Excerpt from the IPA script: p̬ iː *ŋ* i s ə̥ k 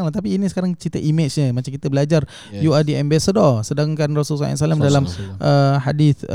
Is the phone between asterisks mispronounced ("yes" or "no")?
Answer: yes